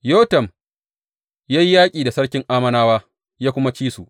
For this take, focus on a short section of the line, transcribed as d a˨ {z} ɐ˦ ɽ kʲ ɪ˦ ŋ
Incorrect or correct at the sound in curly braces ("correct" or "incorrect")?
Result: incorrect